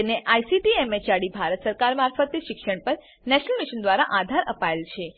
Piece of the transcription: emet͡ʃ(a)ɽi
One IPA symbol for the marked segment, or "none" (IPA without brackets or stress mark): a